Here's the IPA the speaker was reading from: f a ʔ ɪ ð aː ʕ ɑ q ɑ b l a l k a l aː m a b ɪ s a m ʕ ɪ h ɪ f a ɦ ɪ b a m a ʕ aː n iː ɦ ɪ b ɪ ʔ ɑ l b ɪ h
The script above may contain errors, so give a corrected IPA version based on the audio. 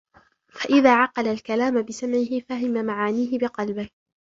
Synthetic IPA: f a ʔ ɪ ð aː ʕ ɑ q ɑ l a l k a l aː m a b ɪ s a m ʕ ɪ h ɪ f a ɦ ɪ m a m a ʕ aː n iː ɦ ɪ b ɪ q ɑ l b ɪ h

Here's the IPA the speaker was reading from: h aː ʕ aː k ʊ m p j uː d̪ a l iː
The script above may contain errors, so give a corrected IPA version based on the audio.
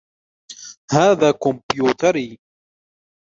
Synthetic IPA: h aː ð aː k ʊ m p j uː t̪ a ɾ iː

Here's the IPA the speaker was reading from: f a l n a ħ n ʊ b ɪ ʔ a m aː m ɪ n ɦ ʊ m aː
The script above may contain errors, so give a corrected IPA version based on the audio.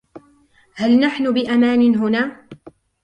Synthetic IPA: h a l n a ħ n ʊ b ɪ ʔ a m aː n ɪ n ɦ ʊ n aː

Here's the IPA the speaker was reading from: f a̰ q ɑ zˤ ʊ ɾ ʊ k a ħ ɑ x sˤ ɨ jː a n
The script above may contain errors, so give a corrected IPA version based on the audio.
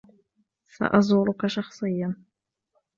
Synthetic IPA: s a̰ ʔ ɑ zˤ ʊ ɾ ʊ k a ʃ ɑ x sˤ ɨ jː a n

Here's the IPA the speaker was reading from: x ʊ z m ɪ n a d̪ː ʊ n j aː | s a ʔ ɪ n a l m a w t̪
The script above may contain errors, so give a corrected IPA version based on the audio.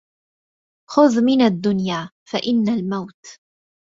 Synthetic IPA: x ʊ ð m ɪ n a d̪ː ʊ n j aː | f a ʔ ɪ nː a l m a w t̪

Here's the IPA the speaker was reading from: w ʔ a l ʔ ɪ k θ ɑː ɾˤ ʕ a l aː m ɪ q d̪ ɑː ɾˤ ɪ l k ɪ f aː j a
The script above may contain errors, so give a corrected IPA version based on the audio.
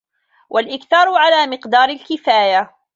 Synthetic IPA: w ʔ a l ʔ ɪ k θ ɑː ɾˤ ʕ a l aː m ɪ q d̪ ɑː ɾˤ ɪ l k ɪ f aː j a

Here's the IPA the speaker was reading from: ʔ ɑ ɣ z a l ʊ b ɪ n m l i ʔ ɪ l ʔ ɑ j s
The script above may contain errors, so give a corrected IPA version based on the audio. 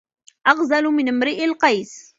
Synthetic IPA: ʔ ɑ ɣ z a l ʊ m ɪ n m ɾ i ʔ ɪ l q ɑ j s

